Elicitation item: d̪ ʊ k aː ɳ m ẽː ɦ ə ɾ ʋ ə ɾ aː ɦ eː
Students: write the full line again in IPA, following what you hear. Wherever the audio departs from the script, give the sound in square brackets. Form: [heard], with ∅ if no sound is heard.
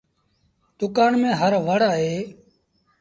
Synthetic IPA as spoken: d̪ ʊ k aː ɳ m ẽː ɦ ə ɾ ʋ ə [ɽ] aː ɦ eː